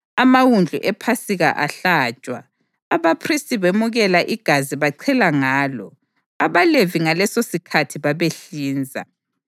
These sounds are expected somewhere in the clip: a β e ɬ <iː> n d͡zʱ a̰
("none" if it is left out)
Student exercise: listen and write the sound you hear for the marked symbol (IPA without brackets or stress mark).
iː